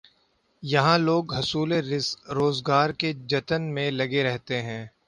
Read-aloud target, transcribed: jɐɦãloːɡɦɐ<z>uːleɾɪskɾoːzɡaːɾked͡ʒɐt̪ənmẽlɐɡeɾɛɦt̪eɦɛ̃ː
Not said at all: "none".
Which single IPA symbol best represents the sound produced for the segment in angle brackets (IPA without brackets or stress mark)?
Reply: s